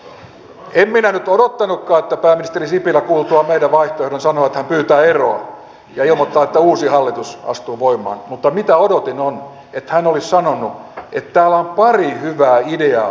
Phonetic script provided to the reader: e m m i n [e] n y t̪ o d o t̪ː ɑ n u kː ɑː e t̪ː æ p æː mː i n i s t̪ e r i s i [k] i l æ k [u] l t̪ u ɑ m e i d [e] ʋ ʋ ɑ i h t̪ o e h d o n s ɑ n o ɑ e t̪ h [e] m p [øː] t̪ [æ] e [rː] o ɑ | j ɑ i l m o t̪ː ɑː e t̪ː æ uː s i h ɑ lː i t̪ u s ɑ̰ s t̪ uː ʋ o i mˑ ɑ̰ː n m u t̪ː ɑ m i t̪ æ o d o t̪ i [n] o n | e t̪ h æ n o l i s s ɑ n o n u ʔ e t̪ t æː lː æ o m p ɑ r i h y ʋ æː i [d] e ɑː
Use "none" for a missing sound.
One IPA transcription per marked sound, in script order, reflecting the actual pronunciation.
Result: æ, p, uː, æ, æ, yː, æː, r, n, d

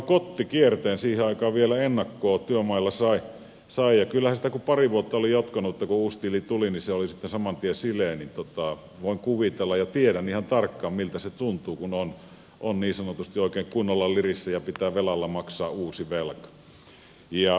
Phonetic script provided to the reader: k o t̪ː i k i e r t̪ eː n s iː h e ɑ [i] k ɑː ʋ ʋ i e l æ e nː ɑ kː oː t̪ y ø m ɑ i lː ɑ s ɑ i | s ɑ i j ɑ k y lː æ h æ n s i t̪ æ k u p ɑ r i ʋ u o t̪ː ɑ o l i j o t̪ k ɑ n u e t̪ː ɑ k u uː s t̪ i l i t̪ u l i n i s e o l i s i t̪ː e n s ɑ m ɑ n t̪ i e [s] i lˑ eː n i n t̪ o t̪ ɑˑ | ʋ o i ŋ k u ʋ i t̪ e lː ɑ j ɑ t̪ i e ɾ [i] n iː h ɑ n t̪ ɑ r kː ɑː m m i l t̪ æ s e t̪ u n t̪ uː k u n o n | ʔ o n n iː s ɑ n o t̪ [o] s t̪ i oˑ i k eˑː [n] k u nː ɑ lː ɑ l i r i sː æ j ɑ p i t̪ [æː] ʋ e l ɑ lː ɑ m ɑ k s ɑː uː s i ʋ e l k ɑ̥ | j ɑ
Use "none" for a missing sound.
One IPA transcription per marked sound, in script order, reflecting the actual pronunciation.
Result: i, s, æ, u, ŋ, æː

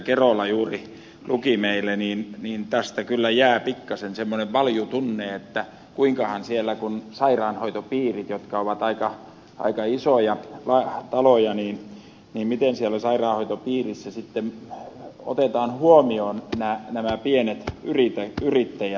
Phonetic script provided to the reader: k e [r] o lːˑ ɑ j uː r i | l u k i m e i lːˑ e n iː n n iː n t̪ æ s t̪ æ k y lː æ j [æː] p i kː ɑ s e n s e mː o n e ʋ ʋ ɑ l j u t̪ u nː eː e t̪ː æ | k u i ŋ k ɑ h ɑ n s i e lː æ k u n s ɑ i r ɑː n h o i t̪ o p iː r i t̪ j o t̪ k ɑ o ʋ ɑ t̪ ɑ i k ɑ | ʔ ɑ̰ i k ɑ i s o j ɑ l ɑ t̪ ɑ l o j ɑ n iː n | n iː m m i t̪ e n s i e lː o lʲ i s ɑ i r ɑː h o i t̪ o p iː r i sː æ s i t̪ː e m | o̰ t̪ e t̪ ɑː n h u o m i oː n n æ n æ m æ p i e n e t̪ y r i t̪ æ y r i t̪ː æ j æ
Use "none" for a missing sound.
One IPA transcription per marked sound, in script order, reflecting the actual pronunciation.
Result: r, æː

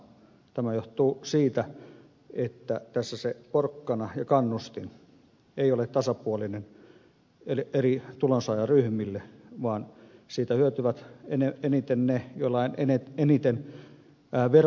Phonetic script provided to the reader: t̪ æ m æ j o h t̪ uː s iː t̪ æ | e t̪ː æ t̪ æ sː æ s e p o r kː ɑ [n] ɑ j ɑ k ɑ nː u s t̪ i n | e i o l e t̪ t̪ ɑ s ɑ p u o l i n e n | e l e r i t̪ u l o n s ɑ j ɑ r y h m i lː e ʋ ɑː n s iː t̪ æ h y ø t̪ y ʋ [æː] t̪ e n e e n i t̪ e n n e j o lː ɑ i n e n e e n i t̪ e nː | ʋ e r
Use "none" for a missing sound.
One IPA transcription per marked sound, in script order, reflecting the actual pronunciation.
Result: n, æ

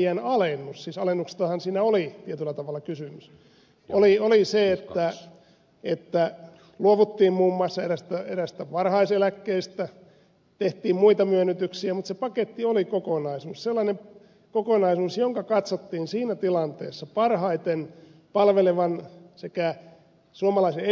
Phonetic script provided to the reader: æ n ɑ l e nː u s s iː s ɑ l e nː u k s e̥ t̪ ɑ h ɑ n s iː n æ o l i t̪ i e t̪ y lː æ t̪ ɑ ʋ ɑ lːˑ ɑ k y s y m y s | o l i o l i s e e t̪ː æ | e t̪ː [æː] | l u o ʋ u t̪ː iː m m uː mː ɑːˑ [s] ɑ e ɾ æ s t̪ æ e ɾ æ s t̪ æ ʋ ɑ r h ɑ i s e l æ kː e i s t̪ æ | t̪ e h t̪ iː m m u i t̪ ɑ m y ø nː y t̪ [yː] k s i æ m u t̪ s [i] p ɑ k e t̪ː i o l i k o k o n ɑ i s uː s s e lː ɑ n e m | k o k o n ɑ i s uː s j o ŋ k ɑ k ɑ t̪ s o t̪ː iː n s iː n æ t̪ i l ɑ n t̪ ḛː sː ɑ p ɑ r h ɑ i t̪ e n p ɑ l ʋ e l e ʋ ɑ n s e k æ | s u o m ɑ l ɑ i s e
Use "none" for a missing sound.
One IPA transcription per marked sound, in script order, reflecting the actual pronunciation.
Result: æ, sː, y, e

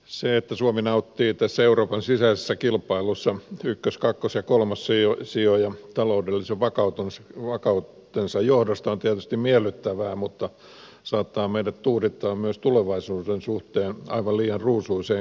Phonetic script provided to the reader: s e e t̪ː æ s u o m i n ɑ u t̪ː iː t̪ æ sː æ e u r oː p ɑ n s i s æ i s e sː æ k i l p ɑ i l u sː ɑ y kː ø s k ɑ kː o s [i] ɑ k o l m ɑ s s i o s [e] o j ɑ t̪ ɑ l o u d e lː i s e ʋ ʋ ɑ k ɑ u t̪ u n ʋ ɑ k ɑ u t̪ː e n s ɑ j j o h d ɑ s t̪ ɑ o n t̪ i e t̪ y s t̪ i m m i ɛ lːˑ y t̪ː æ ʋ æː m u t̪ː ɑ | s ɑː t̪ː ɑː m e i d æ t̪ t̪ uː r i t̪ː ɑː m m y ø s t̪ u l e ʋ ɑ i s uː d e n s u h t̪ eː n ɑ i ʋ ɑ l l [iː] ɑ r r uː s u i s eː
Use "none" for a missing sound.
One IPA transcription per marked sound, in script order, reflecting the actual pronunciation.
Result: j, i, iː

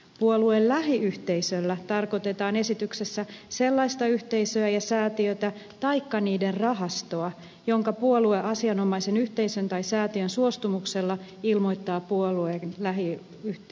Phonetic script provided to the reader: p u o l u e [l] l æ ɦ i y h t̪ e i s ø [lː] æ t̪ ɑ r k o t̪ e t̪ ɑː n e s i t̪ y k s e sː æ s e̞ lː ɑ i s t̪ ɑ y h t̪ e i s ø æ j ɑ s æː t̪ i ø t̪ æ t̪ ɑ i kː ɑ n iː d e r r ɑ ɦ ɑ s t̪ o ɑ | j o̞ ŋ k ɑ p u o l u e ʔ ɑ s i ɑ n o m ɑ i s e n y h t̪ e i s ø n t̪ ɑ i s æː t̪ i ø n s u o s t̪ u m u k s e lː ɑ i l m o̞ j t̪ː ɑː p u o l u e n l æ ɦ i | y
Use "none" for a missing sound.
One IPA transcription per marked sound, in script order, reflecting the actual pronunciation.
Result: l, lː

